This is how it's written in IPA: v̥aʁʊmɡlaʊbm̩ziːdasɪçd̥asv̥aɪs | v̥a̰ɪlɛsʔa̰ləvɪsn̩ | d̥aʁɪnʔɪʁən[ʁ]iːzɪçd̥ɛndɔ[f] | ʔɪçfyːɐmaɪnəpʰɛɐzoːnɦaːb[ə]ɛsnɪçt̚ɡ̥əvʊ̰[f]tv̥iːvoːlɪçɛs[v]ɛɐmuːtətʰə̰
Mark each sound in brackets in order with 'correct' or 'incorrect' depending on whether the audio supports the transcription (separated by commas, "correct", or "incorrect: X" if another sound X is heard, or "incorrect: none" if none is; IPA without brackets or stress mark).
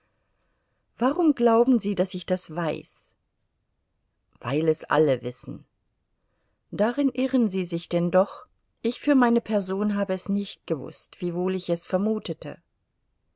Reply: incorrect: z, incorrect: χ, correct, incorrect: s, incorrect: f